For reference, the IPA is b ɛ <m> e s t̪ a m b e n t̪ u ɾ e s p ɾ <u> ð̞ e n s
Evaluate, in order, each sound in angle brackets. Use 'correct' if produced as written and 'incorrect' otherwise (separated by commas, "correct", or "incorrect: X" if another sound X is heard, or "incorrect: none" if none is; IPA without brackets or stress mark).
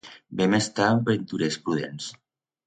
correct, correct